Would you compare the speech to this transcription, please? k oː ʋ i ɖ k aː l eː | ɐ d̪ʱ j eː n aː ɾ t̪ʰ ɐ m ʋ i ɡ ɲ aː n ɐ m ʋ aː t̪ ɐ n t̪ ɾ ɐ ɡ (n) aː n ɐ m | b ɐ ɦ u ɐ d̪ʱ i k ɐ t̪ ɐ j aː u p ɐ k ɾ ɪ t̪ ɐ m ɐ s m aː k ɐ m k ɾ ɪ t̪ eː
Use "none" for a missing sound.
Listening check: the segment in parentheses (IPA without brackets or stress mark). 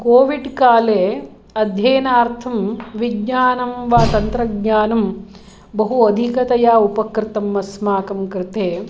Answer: ɲ